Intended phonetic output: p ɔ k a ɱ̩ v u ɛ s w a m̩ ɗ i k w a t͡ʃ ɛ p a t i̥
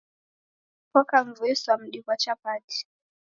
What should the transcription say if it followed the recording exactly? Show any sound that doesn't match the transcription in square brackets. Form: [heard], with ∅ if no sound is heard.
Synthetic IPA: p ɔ k a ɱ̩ v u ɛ s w a m̩ ɗ i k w a t͡ʃ [a] p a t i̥